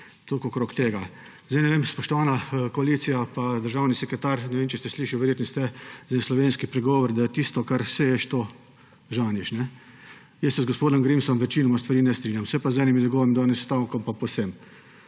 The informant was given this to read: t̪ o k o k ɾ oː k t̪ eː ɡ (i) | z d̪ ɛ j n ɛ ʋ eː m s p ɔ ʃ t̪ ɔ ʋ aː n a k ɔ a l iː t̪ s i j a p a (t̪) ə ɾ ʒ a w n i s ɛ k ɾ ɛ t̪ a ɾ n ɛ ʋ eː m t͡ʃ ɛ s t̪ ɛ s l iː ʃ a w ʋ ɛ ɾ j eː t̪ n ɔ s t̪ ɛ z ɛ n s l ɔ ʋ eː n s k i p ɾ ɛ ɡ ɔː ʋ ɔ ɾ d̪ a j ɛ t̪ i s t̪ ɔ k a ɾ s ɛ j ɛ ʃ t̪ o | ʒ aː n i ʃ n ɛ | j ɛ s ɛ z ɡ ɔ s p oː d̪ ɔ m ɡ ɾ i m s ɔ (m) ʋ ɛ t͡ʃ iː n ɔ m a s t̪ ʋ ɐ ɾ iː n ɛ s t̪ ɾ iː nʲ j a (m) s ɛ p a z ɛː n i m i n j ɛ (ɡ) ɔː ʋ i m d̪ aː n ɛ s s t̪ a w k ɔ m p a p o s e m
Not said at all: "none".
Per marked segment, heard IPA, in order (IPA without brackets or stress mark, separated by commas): a, d̪, m, m, ɡ